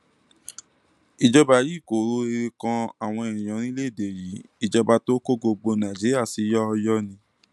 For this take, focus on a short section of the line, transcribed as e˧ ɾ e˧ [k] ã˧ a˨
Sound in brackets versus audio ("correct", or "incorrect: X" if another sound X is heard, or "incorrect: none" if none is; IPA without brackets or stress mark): correct